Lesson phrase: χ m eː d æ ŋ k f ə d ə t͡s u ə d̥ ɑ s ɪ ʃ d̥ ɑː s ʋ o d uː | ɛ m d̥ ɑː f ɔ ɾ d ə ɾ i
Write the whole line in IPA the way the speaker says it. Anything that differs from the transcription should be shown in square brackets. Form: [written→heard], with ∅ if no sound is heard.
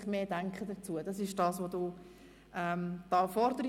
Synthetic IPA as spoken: χ m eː d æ ŋ k [f→χ] ə d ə t͡s u ə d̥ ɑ s ɪ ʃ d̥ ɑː s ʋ o d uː | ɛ m d̥ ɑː f ɔ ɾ d ə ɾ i

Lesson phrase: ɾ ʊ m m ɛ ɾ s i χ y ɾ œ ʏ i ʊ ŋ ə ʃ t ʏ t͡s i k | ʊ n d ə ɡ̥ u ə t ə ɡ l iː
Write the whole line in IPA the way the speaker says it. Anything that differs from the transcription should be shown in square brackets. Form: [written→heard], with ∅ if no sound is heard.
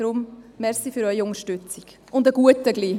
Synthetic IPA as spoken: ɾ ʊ m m ɛ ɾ s i [χ→f] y ɾ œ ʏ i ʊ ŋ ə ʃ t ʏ t͡s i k | ʊ n d ə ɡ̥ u ə t ə ɡ l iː

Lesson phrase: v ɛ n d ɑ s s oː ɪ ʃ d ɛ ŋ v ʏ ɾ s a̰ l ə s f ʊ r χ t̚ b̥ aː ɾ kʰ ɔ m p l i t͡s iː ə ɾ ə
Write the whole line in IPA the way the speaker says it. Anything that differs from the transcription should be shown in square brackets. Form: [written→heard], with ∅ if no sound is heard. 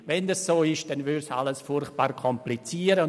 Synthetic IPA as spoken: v ɛ n d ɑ s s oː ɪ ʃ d ɛ [ŋ→n] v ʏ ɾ s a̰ l ə s f ʊ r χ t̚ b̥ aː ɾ kʰ ɔ m p l i t͡s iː ə ɾ ə

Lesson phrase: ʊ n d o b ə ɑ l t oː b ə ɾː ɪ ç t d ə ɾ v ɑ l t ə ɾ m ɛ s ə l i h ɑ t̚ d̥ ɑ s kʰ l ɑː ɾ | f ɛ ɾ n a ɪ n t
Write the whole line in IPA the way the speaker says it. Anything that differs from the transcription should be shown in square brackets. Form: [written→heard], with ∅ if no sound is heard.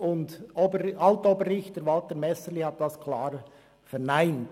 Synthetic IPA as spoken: ʊ n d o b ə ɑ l t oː b ə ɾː ɪ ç t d ə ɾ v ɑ l t ə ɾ m ɛ s ə l i h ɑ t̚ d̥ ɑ s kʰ l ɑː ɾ | f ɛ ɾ n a ɪ n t

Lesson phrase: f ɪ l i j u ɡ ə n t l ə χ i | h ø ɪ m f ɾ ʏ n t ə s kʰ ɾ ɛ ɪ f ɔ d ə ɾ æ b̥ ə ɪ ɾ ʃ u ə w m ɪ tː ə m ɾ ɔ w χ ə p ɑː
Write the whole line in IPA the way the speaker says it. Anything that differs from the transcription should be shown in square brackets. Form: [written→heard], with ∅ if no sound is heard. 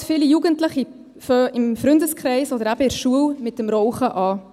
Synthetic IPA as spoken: f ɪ l i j u ɡ ə n t l ə χ i | [h→f] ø ɪ m f ɾ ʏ n [t→d] ə s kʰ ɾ ɛ ɪ [f→s] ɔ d ə ɾ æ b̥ ə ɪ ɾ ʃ u ə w m ɪ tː ə m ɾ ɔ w χ ə [p→ʔ] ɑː

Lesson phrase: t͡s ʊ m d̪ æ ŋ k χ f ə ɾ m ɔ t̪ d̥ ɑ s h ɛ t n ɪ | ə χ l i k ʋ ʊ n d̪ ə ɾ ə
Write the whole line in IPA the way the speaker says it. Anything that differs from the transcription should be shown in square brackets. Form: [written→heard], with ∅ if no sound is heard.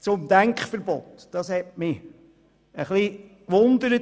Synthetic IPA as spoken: t͡s ʊ m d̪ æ ŋ k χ f ə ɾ [m→b] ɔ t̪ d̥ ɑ s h ɛ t [n→m] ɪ | ə χ l i k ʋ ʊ n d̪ ə ɾ ə

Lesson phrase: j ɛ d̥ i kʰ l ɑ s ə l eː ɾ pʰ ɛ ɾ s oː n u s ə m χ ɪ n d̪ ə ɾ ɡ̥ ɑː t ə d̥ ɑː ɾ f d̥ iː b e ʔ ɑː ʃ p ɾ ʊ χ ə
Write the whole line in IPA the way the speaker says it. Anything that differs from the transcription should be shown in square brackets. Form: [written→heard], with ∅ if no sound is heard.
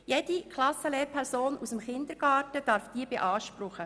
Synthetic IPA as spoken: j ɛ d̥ i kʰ l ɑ s ə l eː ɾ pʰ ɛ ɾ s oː n u s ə m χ ɪ n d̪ ə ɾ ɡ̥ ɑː t ə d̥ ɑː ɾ f d̥ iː b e ʔ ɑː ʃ p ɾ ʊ χ ə

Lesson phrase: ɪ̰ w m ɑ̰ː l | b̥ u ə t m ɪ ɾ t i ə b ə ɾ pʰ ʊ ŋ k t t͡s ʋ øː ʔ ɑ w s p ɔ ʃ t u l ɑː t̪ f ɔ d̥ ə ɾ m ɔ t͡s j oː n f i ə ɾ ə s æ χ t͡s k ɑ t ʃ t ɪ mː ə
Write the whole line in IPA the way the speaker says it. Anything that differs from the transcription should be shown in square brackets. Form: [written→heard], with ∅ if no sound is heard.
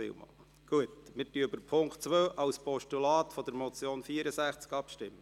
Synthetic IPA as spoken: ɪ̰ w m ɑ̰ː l | [b̥→ɡ̥] u ə t m ɪ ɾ t [i→y] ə b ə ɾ pʰ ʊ ŋ k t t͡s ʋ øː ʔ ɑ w s p ɔ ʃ t u l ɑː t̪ f ɔ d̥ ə ɾ m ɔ t͡s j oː n f i ə ɾ ə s æ χ t͡s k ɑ [t→p] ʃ t ɪ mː ə

